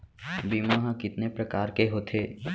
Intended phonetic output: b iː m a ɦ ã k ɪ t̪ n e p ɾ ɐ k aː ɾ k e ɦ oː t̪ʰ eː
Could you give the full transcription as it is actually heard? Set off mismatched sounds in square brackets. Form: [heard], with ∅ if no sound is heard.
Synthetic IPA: b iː m a ɦ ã k ɪ t̪ n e p ɾ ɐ k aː ɾ k e ɦ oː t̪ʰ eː